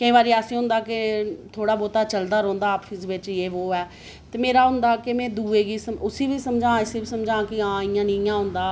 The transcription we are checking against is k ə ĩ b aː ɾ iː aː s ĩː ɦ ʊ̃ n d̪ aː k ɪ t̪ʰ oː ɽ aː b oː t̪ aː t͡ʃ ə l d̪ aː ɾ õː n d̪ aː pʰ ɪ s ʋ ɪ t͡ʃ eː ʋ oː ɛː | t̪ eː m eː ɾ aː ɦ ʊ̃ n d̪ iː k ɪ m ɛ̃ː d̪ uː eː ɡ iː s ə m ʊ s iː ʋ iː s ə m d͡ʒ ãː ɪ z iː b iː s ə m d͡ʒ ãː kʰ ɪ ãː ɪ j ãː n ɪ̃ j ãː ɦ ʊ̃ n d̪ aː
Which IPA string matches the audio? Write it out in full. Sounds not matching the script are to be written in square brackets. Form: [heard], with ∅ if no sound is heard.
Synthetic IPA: k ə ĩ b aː ɾ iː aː s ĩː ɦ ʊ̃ n d̪ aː k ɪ t̪ʰ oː ɽ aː b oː t̪ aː t͡ʃ ə l d̪ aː ɾ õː n d̪ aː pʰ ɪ s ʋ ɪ t͡ʃ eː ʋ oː ɛː | t̪ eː m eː ɾ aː ɦ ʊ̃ n d̪ [aː] k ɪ m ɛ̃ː d̪ uː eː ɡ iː s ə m ʊ s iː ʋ iː s ə m d͡ʒ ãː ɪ [s] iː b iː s ə m d͡ʒ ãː [k] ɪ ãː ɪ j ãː n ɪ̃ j ãː ɦ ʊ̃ n d̪ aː